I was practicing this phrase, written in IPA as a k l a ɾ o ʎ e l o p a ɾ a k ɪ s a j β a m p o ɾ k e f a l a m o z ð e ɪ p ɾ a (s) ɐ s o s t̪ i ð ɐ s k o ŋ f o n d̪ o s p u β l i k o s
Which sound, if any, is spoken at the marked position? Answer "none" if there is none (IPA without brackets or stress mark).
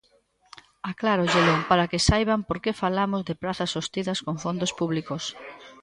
θ